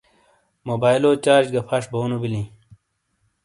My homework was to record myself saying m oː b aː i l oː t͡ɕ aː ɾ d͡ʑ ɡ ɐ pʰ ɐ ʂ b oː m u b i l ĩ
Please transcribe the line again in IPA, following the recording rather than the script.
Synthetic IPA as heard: m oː b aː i l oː t͡ɕ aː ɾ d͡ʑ ɡ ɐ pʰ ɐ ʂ b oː n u b i l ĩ